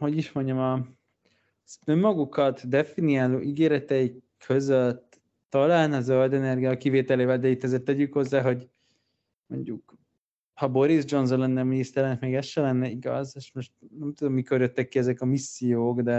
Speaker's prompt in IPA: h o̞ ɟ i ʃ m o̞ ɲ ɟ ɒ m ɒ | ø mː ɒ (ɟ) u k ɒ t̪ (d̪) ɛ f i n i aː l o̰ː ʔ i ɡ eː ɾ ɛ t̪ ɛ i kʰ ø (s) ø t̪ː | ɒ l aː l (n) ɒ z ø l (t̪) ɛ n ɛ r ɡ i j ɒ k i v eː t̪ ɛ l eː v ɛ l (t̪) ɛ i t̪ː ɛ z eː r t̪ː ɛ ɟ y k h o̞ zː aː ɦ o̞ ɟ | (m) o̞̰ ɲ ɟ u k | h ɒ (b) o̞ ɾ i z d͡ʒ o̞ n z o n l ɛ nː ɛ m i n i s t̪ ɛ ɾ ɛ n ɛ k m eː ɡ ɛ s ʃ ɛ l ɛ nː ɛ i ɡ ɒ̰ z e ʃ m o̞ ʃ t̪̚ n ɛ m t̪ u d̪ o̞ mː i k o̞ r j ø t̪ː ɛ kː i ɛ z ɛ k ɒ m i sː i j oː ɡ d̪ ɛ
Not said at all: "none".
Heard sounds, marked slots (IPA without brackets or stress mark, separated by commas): ɡ, d̪, z, n, d̪, d̪, m, b